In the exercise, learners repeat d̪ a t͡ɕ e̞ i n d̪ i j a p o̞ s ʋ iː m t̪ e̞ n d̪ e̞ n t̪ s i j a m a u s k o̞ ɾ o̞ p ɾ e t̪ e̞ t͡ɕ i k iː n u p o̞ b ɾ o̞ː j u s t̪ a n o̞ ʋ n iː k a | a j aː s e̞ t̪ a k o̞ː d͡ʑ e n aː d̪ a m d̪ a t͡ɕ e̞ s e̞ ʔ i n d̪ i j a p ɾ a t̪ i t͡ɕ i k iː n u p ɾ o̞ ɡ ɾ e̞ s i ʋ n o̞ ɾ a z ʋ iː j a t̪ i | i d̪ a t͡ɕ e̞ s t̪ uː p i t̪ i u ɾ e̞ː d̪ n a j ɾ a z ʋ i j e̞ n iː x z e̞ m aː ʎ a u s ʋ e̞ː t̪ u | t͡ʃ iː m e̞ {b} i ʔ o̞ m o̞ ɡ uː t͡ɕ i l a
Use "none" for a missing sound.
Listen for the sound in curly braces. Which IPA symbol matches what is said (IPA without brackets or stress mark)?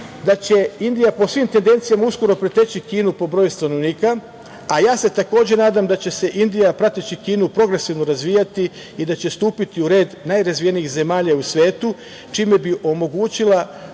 b